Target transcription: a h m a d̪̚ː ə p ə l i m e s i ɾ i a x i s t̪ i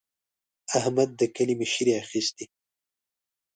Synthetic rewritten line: a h m a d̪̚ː ə k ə l i m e ʃ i ɾ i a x i s t̪ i

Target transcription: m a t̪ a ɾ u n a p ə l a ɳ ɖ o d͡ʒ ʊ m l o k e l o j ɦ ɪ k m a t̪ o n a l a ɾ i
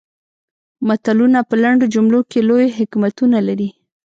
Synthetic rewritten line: m a t̪ a l u n a p ə l a ɳ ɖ o d͡ʒ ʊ m l o k e l o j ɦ ɪ k m a t̪ u n a l a ɾ i

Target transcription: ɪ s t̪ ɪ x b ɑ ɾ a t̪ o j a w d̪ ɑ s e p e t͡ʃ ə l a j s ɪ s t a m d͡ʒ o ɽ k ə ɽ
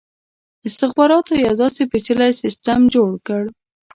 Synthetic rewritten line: ɪ s t̪ ɪ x b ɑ ɾ ɑ t̪ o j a w d̪ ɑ s e p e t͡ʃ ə l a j s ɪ s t a m d͡ʒ o ɽ k ə ɽ

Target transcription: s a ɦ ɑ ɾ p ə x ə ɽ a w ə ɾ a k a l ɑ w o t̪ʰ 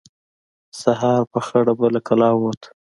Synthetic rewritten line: s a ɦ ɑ ɾ p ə x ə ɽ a b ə l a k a l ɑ w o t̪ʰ

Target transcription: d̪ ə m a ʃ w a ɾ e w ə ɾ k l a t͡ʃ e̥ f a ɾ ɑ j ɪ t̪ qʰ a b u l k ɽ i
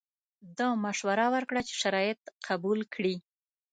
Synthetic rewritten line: d̪ ɑ m a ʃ w a ɾ a w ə ɾ k ɽ a t͡ʃ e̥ ʃ a ɾ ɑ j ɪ t̪ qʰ a b u l k ɽ i

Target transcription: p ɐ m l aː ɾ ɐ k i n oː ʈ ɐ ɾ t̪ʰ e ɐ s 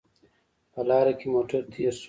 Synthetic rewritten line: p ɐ l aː ɾ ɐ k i m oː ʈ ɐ ɾ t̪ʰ i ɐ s

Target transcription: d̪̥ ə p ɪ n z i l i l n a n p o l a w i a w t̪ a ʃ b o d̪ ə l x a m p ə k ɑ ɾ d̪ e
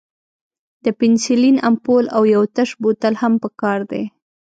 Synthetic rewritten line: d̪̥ ə p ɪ n s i l i n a m p o l a w j a w t̪ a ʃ b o t̪ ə l h a m p ə k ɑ ɾ d̪ e

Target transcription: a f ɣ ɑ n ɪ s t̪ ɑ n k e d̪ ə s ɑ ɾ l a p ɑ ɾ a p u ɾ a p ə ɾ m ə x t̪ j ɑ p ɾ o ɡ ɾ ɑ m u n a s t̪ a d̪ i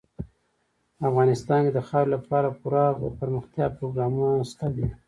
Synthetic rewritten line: a f ɣ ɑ n ɪ s t̪ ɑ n k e d̪ ə x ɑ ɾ l a p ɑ ɾ a p u ɾ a p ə ɾ m ə x t̪ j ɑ p ɾ o ɡ ɾ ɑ m u n a s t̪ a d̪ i

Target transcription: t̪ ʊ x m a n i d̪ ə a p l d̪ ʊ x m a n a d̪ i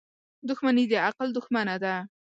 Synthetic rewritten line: d̪ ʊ x m a n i d̪ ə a q l d̪ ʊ x m a n a d̪ a

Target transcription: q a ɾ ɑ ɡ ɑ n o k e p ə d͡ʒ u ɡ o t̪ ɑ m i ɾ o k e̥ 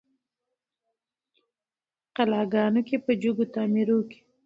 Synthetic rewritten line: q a l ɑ ɡ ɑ n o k e p ə d͡ʒ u ɡ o t̪ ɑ m i ɾ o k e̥

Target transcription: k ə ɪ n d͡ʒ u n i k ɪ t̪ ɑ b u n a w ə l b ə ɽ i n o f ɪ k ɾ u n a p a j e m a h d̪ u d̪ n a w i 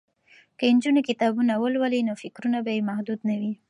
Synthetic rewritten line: k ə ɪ n d͡ʒ u n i k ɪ t̪ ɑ b u n a w ə l w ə l i n o f ɪ k ɾ u n a b a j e m a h d̪ u d̪ n a w i

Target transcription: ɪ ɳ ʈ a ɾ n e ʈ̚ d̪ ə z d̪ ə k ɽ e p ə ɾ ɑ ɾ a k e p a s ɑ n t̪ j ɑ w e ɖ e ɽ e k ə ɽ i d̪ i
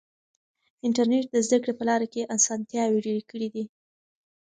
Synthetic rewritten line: ɪ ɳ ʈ a ɾ n e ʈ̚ d̪ ə z d̪ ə k ɽ e p ə l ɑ ɾ a k e ʔ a s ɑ n t̪ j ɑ w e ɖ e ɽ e k ə ɽ i d̪ i

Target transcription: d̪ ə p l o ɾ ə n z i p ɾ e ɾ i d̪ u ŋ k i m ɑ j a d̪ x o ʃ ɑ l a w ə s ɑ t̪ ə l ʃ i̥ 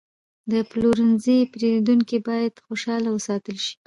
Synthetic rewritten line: d̪ ə p l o ɾ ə n z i p ɾ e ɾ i d̪ u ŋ k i b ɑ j a d̪ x o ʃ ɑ l a w ə s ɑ t̪ ə l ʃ i̥

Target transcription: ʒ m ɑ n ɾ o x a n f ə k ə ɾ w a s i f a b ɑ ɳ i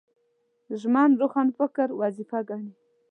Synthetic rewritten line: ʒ m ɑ n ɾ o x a n f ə k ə ɾ w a z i f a ɡ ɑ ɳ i

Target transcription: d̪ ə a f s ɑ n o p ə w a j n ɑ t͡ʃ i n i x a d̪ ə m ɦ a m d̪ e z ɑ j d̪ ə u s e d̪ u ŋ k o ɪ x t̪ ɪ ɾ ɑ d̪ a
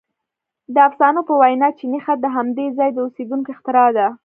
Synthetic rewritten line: d̪ ə a f s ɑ n o p ə w a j n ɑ t͡ʃ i n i x a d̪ ə ɦ a m d̪ e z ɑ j d̪ ə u s e d̪ u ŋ k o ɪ x t̪ ɪ ɾ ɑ d̪ a

